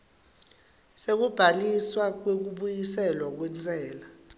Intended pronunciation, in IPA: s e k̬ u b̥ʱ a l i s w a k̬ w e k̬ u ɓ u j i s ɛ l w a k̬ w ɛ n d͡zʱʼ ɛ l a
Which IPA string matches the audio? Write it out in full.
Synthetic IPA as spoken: s e k̬ u b̥ʱ a l i s w a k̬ w e k̬ u ɓ u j i s ɛ l w a k̬ w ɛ n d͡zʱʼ ɛː l a